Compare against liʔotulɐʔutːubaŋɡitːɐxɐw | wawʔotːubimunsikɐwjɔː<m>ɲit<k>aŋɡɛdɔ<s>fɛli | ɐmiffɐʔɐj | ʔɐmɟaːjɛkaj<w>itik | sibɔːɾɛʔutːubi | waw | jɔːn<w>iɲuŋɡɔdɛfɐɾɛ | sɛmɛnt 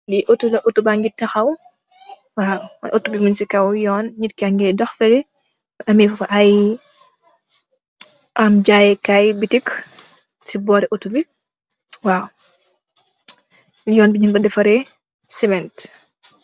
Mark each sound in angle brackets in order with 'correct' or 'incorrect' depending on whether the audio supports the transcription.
incorrect, correct, incorrect, incorrect, incorrect

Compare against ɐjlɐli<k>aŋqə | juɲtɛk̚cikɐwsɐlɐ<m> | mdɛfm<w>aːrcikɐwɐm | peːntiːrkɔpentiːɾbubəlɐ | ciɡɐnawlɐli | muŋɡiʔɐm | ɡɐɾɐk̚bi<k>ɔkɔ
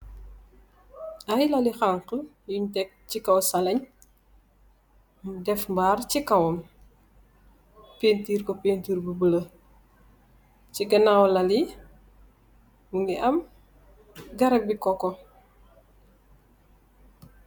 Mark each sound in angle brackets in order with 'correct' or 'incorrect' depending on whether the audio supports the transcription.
incorrect, incorrect, incorrect, correct

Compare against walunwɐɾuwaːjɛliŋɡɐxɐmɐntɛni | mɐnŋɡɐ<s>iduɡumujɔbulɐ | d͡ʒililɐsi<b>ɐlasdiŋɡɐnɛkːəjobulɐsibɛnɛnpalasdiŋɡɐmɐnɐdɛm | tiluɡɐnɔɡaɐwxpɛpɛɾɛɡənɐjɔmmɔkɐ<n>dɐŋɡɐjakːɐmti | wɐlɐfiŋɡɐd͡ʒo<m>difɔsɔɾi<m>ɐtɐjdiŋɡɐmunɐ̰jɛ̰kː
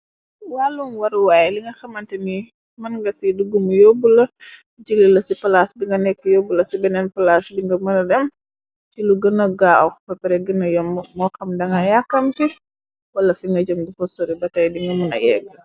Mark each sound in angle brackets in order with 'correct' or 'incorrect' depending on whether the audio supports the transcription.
correct, incorrect, incorrect, correct, incorrect

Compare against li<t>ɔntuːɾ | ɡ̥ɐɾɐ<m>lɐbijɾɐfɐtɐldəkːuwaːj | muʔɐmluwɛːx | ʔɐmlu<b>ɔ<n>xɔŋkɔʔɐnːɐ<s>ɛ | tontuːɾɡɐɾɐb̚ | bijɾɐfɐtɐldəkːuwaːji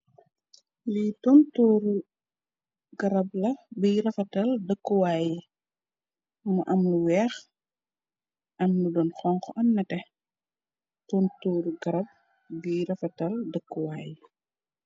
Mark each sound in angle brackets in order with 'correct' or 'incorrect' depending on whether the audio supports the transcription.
correct, incorrect, incorrect, correct, incorrect

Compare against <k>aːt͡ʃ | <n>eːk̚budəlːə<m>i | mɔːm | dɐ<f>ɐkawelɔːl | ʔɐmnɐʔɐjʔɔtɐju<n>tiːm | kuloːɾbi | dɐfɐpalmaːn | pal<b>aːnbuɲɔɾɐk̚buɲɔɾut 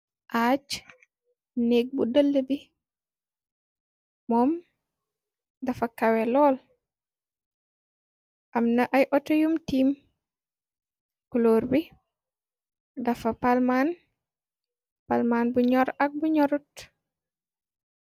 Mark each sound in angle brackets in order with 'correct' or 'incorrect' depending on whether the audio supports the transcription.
incorrect, correct, incorrect, correct, incorrect, incorrect

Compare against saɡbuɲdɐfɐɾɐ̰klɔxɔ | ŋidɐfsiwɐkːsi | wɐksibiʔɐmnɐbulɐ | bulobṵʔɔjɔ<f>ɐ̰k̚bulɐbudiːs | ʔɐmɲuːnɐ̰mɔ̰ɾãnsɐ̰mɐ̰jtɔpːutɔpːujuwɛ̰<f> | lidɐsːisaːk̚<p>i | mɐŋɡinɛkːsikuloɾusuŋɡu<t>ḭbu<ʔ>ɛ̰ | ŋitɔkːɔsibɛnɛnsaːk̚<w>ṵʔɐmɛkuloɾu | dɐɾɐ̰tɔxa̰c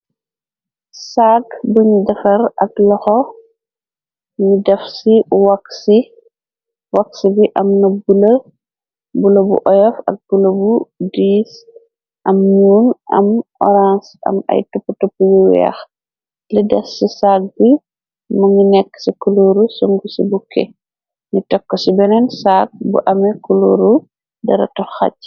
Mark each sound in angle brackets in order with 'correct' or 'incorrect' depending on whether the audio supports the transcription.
correct, incorrect, incorrect, incorrect, incorrect, incorrect

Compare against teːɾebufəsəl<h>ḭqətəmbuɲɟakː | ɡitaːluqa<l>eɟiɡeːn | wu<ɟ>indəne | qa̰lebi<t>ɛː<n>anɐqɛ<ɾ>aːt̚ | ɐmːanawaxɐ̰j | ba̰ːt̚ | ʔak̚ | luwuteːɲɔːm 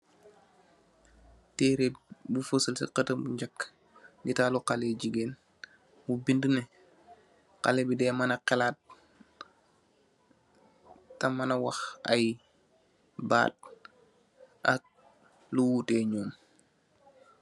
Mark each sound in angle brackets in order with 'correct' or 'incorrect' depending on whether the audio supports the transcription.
incorrect, correct, incorrect, incorrect, incorrect, incorrect

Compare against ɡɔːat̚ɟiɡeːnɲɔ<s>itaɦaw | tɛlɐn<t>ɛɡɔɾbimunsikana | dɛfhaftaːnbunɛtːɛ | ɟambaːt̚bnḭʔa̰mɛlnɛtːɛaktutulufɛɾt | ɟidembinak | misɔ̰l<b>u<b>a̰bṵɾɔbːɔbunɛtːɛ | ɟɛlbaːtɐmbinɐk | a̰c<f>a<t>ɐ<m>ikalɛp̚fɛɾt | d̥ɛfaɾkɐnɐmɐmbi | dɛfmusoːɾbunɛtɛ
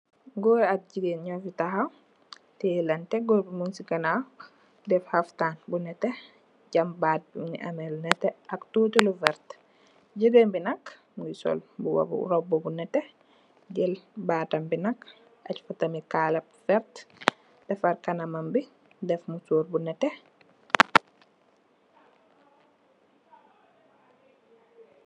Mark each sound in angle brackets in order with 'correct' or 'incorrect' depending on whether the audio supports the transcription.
incorrect, correct, correct, incorrect, correct, correct, correct

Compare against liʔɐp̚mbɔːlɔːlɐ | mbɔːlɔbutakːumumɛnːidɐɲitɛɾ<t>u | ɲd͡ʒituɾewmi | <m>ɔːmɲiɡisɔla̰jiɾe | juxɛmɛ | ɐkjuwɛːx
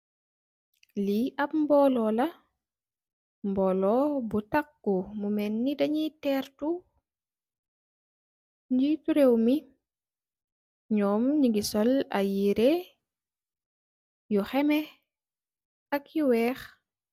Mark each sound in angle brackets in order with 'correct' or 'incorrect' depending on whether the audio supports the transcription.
correct, incorrect

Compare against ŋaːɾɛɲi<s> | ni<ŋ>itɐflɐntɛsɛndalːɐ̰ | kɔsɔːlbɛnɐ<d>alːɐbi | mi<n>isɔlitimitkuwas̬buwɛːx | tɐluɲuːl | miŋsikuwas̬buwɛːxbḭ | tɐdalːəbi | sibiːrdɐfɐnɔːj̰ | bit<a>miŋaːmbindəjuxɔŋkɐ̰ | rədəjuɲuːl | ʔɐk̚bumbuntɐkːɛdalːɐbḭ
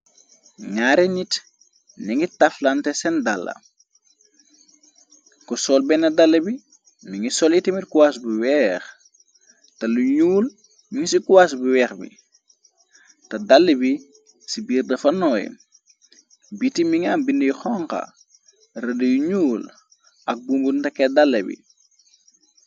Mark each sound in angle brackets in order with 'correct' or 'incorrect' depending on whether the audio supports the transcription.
incorrect, correct, correct, incorrect, incorrect

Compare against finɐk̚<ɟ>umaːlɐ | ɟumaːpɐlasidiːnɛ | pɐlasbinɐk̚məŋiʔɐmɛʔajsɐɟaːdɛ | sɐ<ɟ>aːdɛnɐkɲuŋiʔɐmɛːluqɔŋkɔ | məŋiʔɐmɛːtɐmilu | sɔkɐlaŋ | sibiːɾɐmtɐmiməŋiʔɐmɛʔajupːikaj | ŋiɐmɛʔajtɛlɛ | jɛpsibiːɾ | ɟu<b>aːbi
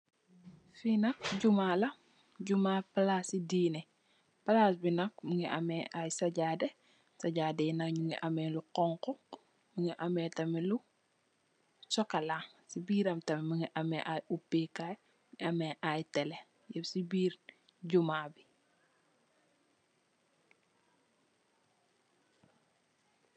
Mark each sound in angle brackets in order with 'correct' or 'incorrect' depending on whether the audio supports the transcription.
correct, correct, incorrect

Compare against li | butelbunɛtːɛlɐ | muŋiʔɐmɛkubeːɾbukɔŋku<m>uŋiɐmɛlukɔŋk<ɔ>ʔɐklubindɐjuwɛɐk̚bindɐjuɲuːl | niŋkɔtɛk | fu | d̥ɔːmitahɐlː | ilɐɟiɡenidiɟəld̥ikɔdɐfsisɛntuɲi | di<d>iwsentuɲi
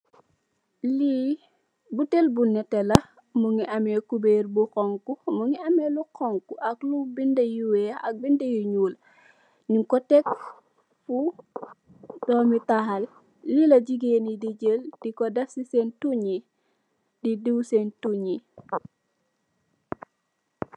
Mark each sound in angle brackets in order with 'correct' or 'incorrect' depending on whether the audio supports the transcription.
correct, incorrect, correct

